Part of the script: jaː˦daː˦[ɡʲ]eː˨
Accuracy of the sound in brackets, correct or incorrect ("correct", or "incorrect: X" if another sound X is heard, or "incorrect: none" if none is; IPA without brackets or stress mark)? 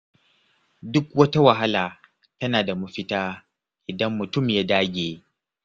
correct